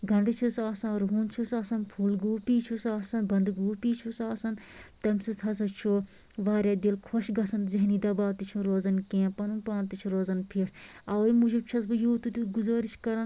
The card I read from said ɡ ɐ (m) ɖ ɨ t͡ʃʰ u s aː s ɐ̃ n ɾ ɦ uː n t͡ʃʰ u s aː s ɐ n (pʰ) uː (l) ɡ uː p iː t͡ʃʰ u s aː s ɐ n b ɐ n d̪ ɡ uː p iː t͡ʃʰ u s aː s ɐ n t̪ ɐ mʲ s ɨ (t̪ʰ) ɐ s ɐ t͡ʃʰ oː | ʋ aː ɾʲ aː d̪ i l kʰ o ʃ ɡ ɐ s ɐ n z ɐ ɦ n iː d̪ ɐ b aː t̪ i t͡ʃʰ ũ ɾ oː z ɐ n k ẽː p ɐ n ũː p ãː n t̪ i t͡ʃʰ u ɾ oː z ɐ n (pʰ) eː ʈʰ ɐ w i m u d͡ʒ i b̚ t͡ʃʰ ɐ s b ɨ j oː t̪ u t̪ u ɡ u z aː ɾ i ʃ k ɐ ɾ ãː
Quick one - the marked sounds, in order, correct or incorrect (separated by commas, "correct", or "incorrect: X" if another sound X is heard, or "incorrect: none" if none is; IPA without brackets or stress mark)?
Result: incorrect: ɳ, correct, correct, correct, correct